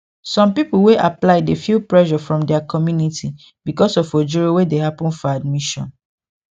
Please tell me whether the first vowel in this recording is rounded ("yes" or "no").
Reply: yes